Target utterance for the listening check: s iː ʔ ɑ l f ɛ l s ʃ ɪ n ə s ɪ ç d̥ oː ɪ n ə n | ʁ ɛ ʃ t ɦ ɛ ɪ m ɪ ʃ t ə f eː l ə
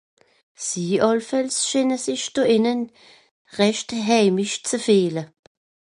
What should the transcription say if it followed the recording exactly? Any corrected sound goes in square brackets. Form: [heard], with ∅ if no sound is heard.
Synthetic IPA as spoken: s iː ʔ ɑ l f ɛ l s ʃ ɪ n ə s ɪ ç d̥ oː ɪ n ə n | ʁ ɛ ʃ t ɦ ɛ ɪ m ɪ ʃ [t͡s] ə f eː l ə